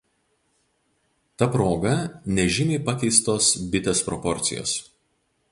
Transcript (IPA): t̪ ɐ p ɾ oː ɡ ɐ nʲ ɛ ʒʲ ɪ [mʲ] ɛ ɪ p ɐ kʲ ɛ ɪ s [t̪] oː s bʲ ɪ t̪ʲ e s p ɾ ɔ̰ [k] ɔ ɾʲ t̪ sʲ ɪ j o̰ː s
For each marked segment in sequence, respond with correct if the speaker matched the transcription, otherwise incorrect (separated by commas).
correct, correct, incorrect